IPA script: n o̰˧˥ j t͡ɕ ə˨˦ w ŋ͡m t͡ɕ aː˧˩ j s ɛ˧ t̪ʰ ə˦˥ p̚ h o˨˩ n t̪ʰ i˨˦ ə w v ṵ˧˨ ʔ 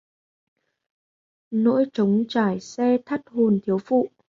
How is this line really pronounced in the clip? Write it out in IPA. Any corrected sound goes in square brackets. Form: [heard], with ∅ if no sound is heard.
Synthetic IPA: n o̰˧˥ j t͡ɕ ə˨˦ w ŋ͡m t͡ɕ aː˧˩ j s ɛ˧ t̪ʰ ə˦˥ [t̚] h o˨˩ n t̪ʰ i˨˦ ə w [f] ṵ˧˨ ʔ